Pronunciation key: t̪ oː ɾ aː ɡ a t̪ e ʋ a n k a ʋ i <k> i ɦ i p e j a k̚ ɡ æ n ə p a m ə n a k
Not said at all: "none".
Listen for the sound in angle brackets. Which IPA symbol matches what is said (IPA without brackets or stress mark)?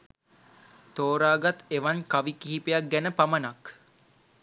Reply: k